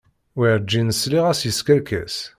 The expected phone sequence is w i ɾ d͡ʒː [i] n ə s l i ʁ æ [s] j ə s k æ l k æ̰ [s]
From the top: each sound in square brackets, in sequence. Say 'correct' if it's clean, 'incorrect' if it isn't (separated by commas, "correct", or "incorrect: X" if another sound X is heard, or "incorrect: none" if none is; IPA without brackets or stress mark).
correct, correct, correct